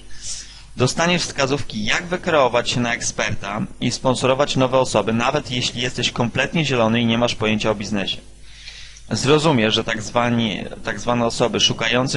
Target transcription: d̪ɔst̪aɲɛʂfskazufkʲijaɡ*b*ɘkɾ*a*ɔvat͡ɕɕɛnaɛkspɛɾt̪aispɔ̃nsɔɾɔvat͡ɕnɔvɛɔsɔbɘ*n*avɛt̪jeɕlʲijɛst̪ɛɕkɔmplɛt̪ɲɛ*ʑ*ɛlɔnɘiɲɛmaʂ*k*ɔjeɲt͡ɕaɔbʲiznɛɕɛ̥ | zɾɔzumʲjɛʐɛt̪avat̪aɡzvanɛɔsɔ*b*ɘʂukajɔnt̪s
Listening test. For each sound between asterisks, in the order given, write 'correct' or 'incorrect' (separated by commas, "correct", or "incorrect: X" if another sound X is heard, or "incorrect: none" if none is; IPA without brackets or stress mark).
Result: incorrect: v, incorrect: ɛ, correct, correct, incorrect: p, correct